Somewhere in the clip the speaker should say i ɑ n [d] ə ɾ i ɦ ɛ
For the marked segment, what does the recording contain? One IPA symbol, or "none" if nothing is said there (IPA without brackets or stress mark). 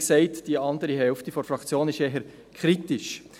d